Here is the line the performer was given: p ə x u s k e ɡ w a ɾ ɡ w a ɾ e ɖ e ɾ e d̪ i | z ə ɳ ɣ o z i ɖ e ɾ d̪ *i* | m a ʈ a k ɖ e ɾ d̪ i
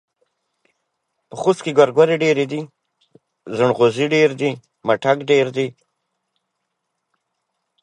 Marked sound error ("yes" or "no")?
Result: no